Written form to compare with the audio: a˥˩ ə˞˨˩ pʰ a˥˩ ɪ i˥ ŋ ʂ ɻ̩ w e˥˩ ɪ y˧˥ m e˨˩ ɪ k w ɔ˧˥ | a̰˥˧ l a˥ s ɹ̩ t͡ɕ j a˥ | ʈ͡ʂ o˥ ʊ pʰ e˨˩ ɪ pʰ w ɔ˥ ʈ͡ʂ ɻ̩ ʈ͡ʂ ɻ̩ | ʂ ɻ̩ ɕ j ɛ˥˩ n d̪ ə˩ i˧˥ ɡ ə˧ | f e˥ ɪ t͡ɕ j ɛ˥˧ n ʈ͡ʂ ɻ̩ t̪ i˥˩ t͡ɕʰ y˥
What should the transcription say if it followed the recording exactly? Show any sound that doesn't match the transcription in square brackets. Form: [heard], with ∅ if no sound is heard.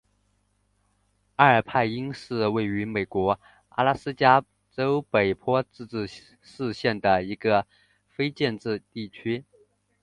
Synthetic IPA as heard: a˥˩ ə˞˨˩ pʰ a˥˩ ɪ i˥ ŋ ʂ ɻ̩ w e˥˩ ɪ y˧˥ m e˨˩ ɪ k w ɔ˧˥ | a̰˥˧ l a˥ s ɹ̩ t͡ɕ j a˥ | ʈ͡ʂ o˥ ʊ [p] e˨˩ ɪ pʰ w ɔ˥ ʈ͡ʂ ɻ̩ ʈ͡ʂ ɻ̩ | ʂ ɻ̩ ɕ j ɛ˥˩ n d̪ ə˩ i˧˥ ɡ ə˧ | f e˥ ɪ t͡ɕ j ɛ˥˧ n ʈ͡ʂ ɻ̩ t̪ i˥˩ t͡ɕʰ y˥